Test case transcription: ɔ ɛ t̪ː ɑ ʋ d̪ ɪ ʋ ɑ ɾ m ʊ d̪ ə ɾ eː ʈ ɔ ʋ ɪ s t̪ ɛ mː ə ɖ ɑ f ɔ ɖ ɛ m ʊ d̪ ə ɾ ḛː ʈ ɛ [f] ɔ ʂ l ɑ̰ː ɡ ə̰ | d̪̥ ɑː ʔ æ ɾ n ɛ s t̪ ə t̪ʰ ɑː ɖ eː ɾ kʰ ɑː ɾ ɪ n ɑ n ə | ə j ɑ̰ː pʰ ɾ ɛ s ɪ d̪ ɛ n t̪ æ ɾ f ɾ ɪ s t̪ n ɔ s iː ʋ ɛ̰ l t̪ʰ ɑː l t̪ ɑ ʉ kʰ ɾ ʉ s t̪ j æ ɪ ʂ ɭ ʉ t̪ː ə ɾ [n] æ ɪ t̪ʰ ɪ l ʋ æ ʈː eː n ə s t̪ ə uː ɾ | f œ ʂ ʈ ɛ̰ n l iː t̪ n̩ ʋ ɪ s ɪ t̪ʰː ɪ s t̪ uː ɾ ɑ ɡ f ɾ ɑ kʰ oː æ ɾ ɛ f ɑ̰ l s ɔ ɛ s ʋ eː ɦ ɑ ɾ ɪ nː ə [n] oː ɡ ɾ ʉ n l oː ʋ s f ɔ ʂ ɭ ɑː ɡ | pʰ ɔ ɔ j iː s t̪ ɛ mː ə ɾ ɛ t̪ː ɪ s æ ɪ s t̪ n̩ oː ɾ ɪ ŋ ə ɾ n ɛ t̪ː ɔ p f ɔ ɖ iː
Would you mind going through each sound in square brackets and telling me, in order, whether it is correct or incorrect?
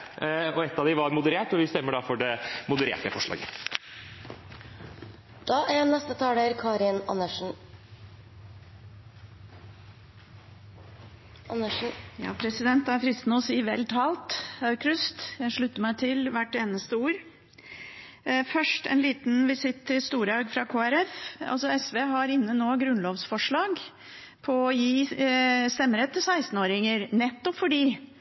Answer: correct, incorrect: m, correct

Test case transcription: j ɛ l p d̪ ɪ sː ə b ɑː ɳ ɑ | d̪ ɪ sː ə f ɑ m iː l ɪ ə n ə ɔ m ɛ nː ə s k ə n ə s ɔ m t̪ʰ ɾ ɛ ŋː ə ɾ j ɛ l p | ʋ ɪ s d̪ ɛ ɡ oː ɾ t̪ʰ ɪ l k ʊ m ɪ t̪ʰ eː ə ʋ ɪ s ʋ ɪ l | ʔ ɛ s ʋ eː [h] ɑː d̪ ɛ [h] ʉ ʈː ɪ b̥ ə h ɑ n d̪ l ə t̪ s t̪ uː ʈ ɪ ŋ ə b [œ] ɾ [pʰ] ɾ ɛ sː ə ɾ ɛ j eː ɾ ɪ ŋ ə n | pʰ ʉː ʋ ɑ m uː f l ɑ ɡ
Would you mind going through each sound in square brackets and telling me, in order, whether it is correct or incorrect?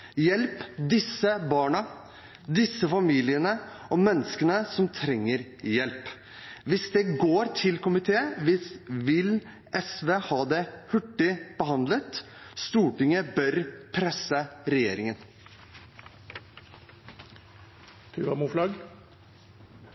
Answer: correct, correct, correct, correct

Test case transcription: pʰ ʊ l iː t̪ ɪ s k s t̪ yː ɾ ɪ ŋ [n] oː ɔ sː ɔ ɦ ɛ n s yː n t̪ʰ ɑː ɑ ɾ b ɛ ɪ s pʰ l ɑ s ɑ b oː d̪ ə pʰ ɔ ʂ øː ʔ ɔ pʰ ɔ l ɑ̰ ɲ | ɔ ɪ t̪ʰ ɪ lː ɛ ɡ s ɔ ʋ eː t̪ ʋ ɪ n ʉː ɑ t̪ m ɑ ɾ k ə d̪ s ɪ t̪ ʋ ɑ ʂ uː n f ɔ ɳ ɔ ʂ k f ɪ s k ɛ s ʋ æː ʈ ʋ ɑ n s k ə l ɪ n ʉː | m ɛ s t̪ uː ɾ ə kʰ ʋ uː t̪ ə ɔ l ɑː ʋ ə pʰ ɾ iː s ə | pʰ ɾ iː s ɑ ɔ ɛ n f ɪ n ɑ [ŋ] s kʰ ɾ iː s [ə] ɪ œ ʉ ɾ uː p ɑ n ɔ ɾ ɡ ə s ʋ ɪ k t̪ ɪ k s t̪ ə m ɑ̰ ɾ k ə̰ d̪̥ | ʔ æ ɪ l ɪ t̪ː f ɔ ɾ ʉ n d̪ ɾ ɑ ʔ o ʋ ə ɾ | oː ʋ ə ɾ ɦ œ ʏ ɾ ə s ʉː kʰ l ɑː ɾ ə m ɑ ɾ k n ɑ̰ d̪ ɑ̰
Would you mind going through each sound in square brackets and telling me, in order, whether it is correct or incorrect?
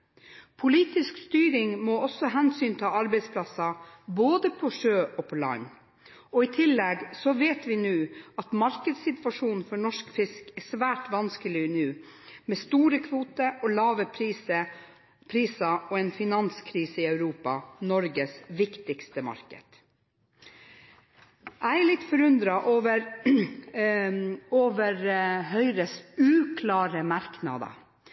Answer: incorrect: m, incorrect: n, correct

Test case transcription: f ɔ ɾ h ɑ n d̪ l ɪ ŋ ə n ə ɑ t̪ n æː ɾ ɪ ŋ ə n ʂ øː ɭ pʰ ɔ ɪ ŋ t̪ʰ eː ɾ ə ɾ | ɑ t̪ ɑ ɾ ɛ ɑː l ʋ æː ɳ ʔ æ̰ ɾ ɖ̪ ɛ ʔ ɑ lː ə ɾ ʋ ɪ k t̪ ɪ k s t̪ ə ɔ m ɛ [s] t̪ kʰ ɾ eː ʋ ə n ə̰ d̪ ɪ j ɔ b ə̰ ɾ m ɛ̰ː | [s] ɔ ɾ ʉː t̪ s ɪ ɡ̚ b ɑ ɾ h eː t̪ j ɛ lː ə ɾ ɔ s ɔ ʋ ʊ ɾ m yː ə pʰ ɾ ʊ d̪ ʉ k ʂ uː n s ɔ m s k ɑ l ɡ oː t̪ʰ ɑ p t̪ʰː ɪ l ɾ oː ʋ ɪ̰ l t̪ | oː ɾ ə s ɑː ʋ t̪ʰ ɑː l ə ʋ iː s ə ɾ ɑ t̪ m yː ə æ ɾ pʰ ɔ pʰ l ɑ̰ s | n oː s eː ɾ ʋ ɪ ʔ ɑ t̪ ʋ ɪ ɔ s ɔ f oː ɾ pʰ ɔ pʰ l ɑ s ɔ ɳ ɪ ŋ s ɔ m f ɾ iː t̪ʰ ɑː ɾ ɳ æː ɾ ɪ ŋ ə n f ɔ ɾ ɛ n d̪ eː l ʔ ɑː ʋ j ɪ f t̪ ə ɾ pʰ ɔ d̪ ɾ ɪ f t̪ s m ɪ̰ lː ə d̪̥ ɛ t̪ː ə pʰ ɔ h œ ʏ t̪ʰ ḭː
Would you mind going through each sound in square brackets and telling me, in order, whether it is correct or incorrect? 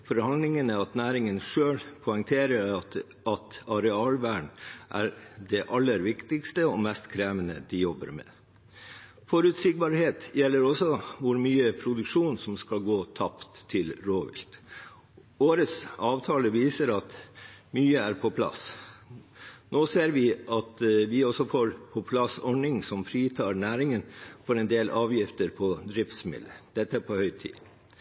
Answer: correct, incorrect: f

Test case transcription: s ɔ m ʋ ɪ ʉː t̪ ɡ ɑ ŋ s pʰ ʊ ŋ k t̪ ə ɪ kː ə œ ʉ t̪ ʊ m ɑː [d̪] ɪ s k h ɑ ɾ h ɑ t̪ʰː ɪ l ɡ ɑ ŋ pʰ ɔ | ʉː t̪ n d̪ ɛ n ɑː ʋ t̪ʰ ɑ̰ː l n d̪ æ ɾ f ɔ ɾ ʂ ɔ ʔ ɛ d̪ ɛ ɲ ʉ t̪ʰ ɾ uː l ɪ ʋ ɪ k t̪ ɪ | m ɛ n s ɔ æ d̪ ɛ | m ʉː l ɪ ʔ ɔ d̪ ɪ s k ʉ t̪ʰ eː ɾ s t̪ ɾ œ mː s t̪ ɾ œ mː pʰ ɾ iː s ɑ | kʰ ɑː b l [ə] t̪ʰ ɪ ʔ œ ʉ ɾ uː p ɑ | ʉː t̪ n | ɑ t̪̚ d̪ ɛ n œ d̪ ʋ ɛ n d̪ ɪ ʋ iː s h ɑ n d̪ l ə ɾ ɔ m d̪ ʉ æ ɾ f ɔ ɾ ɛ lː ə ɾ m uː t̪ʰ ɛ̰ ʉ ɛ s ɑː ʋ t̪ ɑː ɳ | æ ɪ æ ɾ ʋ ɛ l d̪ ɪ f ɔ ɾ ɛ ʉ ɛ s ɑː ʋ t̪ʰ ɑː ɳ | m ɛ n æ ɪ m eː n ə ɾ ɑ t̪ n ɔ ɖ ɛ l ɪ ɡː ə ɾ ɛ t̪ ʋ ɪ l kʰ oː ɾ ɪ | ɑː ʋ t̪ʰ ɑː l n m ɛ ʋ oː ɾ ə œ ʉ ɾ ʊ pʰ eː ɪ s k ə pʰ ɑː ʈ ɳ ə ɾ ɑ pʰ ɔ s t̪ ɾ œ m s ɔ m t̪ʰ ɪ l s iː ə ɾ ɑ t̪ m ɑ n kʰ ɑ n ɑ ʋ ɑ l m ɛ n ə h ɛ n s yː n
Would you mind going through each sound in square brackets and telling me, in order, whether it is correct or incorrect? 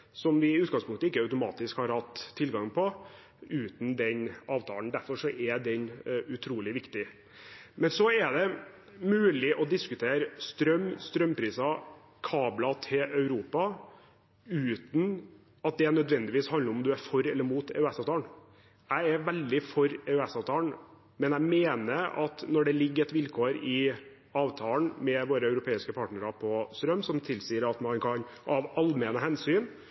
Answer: incorrect: t̪, incorrect: ɑ

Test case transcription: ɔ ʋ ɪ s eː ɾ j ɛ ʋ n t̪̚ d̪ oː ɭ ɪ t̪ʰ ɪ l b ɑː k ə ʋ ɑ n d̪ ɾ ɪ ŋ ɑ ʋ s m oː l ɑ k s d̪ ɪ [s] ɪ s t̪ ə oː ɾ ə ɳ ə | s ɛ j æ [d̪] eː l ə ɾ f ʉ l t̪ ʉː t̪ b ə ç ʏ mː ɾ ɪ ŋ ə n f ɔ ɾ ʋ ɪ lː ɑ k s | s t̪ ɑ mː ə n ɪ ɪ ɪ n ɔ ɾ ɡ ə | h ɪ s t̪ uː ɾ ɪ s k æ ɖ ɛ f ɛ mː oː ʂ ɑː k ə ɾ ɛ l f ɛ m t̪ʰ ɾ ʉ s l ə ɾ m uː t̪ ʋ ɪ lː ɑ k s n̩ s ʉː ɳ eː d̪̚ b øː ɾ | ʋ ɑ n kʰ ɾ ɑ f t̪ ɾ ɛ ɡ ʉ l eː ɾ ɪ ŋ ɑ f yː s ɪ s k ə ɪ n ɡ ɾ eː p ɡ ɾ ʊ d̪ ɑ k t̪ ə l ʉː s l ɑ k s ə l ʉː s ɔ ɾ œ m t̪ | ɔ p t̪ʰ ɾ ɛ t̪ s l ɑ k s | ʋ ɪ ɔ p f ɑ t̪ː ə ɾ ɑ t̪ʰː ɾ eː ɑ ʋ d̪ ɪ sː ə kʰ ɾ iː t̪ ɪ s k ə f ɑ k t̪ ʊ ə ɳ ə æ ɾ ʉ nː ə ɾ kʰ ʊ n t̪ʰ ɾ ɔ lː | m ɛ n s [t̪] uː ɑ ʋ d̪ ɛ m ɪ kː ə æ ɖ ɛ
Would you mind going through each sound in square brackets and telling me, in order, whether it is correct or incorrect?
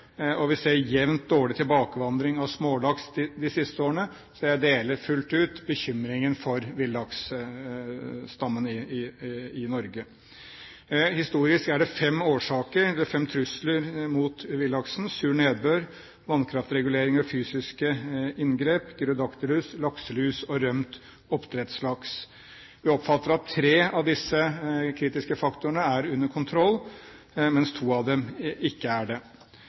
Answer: correct, correct, incorrect: t̪ʰ

